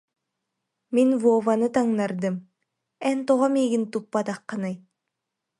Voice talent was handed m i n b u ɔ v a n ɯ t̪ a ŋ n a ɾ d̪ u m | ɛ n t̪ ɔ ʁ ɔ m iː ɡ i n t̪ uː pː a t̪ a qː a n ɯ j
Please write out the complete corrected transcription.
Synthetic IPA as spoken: m i n v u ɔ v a n ɯ t̪ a ŋ n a ɾ d̪ ɯ m | ɛ n t̪ ɔ ʁ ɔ m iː ɡ i n t̪ u pː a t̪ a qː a n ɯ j